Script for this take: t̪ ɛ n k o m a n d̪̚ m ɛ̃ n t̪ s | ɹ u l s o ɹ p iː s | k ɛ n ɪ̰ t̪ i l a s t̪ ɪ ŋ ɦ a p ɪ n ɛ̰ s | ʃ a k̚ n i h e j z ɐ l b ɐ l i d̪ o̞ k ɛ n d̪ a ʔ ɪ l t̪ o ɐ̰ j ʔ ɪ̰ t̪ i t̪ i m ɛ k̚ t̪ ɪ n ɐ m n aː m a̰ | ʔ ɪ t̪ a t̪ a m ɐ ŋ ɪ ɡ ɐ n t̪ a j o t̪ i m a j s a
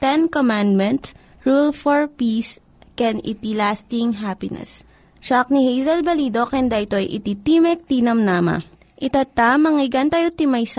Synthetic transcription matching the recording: t̪ ɛ n k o m a n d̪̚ m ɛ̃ n t̪ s | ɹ u l f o ɹ p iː s | k ɛ n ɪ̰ t̪ i l a s t̪ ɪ ŋ ɦ a p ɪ n ɛ̰ s | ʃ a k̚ n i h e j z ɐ l b ɐ l i d̪ o̞ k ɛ n d̪ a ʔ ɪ t̪ o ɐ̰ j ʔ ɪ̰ t̪ i t̪ i m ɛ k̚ t̪ i n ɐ m n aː m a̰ | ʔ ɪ t̪ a t̪ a m ɐ ŋ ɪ ɡ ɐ n t̪ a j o t̪ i m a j s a